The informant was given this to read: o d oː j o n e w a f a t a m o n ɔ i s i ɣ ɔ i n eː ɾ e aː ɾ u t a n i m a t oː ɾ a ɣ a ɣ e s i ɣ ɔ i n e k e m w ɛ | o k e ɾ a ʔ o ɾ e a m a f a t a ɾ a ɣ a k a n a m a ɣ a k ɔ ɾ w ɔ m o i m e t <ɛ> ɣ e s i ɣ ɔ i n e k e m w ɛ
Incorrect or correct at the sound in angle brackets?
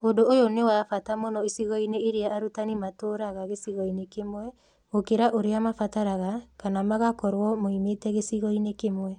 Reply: correct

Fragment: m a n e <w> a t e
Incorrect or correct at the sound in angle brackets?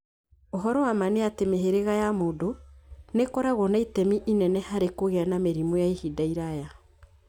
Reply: incorrect: none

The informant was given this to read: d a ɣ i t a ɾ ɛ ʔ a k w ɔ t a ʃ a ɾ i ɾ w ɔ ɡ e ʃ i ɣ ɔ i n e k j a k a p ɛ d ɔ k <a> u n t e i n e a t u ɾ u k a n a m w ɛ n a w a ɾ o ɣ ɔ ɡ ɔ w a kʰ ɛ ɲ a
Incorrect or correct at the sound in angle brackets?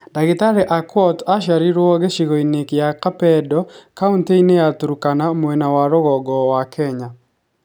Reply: correct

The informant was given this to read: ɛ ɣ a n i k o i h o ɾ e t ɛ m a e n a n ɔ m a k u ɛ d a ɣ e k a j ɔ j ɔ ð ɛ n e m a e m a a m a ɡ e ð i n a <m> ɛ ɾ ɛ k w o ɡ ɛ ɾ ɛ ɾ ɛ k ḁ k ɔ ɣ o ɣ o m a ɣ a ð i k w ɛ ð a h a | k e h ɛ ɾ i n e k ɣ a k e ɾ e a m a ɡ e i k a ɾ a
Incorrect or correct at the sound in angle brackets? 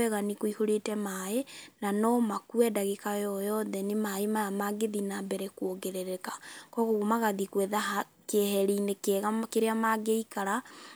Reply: incorrect: b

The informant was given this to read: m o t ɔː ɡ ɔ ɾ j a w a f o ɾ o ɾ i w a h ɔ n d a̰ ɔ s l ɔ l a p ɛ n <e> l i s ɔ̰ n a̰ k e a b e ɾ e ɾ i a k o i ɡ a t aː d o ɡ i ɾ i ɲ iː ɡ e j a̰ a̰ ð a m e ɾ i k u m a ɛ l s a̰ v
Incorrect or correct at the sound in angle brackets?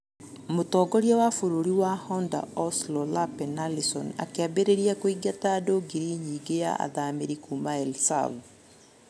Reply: incorrect: a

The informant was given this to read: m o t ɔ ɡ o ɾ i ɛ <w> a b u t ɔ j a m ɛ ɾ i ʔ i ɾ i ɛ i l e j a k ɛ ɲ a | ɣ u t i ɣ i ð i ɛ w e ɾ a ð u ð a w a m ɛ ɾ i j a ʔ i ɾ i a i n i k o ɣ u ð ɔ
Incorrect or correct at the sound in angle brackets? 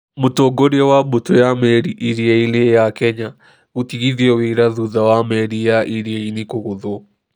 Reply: correct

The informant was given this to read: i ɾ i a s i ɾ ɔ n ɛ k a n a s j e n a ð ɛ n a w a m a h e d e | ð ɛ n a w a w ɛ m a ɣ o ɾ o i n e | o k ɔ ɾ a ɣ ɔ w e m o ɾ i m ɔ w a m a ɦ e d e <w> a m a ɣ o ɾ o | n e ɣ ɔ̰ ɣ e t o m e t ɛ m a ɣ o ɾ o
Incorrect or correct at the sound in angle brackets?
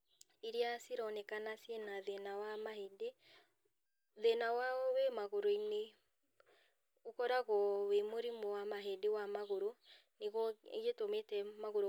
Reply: correct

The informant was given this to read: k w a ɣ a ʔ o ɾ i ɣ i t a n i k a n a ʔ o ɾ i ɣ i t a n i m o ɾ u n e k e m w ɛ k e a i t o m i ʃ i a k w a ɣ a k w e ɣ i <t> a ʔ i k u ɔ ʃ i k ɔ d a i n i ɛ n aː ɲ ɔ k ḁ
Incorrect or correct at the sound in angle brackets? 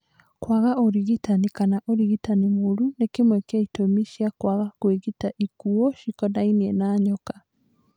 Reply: correct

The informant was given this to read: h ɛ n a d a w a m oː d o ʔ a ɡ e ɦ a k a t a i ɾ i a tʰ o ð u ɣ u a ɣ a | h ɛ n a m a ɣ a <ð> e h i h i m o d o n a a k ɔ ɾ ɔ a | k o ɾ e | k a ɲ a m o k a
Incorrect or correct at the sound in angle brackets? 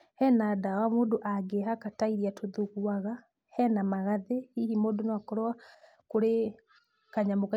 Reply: correct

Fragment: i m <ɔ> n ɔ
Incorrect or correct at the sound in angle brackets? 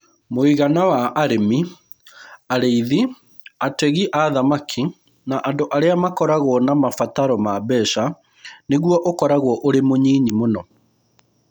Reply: incorrect: o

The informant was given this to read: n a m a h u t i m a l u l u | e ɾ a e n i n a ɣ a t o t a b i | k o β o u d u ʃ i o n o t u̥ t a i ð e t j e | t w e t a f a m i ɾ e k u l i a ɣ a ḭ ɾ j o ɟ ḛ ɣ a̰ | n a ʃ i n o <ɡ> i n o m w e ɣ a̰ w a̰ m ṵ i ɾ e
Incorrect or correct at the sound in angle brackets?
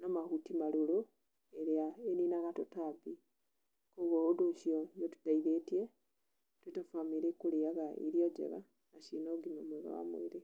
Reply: correct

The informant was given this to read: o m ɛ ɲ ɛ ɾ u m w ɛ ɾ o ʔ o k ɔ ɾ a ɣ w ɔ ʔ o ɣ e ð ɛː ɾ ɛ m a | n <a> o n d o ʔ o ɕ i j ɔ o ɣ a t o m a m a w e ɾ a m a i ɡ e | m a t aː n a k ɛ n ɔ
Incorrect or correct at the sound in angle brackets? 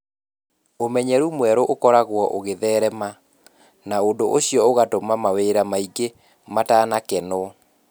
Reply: correct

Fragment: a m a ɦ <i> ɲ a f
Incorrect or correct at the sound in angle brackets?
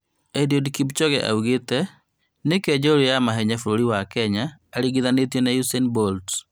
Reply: incorrect: ɛ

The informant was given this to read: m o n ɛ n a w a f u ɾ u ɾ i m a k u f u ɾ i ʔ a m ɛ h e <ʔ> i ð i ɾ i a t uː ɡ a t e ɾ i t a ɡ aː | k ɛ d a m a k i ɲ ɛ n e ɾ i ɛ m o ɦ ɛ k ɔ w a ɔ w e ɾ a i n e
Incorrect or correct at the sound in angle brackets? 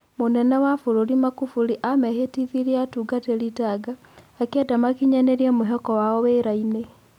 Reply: incorrect: t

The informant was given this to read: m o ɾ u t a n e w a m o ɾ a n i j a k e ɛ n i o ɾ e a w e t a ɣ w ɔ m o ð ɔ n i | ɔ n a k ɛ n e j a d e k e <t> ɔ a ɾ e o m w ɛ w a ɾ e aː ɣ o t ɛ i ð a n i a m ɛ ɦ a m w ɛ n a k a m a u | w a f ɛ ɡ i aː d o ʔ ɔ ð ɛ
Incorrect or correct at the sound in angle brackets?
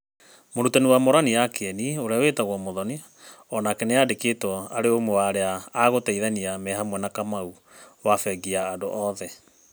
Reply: correct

